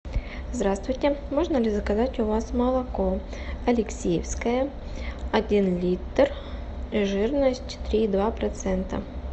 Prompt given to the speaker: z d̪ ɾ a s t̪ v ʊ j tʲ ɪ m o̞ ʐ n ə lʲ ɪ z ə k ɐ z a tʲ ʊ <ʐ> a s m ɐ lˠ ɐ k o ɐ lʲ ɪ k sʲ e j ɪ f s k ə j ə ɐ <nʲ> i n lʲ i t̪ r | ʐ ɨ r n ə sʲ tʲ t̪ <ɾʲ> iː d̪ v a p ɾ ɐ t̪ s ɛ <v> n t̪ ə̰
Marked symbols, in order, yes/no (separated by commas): no, no, yes, no